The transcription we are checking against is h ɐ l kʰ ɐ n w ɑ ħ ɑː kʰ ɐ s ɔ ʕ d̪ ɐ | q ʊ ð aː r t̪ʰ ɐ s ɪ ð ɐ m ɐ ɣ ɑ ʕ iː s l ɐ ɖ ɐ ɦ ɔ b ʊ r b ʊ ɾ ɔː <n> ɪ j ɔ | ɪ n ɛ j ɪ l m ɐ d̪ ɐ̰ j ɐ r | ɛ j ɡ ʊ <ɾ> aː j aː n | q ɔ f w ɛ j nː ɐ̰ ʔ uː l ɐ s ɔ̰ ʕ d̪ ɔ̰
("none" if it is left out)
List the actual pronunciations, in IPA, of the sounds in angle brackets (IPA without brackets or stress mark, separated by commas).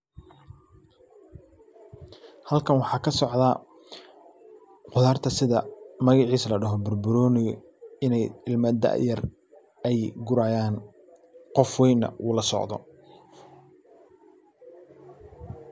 n, ɾ